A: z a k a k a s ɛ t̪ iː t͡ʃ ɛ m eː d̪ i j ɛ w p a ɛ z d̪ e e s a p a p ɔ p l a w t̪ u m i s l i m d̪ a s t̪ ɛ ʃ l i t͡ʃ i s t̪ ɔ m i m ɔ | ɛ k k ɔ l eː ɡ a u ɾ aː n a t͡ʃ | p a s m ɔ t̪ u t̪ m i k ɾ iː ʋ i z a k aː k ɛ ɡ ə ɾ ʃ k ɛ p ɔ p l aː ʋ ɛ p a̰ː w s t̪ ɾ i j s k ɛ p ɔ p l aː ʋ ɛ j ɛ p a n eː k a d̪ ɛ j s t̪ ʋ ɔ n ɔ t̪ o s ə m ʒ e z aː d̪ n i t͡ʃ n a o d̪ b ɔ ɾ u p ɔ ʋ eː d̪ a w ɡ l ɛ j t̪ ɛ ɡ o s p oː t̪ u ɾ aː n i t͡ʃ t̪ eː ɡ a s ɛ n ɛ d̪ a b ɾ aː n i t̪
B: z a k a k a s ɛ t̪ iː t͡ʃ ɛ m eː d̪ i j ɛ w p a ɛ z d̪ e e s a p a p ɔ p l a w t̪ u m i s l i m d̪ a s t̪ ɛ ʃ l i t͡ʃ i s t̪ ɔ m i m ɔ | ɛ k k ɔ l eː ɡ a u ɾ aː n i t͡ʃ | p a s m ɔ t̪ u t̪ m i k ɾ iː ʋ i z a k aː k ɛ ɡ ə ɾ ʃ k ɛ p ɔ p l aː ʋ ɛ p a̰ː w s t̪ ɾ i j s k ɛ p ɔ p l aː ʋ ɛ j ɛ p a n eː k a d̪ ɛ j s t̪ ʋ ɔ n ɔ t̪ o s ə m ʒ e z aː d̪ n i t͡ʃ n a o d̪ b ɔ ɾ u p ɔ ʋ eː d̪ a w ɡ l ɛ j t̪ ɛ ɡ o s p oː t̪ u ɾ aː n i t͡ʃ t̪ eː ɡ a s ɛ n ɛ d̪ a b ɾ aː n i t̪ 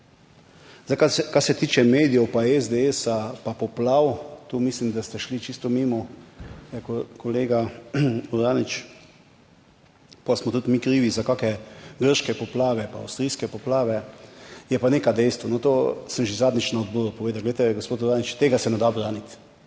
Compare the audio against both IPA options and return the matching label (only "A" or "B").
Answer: B